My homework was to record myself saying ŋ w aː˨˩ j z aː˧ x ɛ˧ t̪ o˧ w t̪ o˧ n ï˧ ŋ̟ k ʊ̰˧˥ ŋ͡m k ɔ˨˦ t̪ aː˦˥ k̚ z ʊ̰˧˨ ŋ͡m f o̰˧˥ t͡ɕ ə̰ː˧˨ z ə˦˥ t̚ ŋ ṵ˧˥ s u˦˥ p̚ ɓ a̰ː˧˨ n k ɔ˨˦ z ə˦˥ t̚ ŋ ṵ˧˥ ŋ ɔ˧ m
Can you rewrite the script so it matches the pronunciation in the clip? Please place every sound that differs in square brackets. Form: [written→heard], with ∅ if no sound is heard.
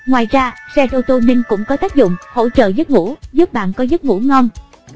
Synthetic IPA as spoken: ŋ w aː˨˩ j z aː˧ [x→s] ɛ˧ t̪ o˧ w t̪ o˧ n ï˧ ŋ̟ k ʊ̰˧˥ ŋ͡m k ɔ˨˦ t̪ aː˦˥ k̚ z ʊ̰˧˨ ŋ͡m [f→h] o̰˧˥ t͡ɕ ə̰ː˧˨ z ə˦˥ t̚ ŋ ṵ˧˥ [s→z] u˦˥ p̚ ɓ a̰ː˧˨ n k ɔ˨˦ z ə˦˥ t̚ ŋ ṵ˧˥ ŋ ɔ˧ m